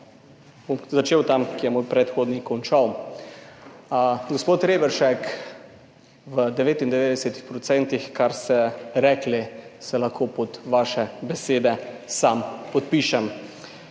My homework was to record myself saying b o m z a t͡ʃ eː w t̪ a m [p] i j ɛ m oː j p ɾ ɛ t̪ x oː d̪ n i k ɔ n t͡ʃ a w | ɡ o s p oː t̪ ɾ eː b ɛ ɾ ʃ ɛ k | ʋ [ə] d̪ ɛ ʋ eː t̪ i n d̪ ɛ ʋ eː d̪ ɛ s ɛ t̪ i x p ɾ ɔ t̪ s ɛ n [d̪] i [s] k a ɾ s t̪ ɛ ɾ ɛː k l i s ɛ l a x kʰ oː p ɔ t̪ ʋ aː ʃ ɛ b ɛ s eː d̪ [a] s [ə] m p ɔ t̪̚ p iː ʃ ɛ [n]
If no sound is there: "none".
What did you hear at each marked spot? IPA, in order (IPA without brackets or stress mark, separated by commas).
k, ə, t̪, x, ɛ, a, m